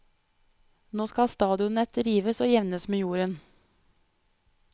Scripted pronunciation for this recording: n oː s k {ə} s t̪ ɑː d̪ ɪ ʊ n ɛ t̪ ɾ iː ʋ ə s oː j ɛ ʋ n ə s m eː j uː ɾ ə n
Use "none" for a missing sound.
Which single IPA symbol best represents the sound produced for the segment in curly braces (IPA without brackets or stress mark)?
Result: ɑ